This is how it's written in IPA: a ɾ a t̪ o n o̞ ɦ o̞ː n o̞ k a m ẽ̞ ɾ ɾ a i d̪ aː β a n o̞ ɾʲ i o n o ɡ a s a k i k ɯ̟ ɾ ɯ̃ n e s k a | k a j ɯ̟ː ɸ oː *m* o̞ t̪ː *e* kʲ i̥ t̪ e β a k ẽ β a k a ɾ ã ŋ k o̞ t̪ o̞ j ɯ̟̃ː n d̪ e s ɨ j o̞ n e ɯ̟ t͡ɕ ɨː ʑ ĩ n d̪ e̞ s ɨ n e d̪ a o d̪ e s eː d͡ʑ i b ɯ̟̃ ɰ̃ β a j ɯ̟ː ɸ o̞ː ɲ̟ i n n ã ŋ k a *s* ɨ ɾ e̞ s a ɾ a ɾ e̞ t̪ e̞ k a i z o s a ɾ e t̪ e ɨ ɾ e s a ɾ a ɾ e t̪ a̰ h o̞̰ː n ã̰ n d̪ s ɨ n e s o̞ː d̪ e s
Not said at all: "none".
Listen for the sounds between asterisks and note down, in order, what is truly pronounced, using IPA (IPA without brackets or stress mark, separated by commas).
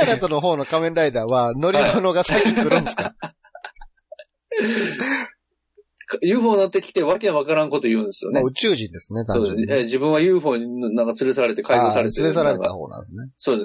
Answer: n, e, t͡s